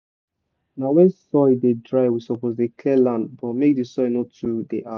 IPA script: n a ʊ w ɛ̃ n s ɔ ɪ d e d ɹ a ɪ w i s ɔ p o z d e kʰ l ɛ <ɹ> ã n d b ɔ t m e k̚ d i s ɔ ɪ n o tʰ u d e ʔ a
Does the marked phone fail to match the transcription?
yes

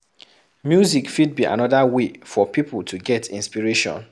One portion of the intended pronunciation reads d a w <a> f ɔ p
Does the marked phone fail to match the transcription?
yes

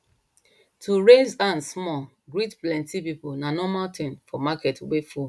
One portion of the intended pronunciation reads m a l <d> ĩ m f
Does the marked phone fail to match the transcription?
yes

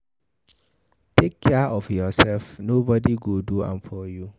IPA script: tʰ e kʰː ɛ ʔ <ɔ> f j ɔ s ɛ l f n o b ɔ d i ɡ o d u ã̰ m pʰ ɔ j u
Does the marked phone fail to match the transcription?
no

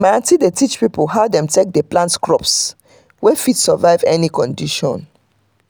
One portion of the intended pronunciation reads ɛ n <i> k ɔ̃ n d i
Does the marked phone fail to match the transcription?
no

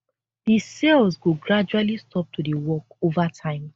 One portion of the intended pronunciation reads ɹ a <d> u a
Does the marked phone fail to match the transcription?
yes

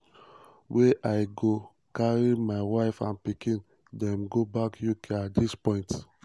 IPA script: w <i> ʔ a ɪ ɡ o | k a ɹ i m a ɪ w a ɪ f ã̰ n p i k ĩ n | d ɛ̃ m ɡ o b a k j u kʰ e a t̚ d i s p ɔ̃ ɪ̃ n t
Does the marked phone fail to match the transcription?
yes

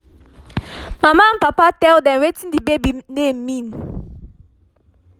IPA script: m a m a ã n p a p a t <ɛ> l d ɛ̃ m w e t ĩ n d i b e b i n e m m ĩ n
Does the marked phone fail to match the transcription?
no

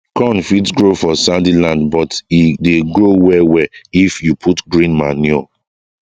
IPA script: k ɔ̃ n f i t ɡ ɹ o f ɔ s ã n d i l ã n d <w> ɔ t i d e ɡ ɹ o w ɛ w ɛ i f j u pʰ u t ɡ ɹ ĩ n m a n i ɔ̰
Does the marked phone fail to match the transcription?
yes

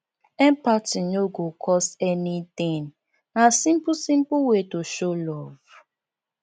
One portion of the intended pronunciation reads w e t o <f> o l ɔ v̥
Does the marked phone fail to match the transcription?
yes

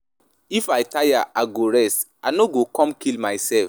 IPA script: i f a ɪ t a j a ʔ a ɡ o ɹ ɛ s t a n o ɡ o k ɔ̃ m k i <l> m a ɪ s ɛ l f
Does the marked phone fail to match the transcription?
no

